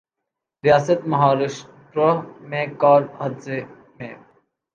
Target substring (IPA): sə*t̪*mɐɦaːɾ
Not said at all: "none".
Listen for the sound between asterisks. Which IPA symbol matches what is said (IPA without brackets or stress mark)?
t̪